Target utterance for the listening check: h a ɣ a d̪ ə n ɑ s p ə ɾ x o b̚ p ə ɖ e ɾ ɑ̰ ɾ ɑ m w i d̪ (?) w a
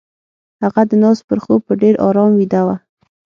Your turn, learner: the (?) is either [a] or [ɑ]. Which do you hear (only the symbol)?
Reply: a